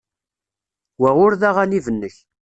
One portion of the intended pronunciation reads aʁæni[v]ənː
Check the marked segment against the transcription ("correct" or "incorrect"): correct